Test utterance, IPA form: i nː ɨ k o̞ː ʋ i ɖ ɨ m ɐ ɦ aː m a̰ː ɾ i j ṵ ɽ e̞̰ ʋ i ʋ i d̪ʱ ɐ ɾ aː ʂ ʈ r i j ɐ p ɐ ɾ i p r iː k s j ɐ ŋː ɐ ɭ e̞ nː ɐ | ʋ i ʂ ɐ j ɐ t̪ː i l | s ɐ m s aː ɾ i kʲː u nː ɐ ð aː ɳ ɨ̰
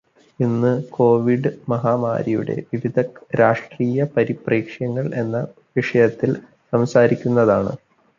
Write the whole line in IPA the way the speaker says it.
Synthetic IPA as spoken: i nː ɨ k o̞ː ʋ i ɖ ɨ m ɐ ɦ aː m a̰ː ɾ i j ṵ ɽ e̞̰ ʋ i ʋ i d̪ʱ ɐ ɾ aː ʂ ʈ r iː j ɐ p ɐ ɾ i p r iː k ʂ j ɐ ŋː ɐ ɭ e̞ nː ɐ | ʋ i ʂ ɐ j ɐ t̪ː i l | s ɐ m s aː ɾ i kʲː u nː ɐ ð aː ɳ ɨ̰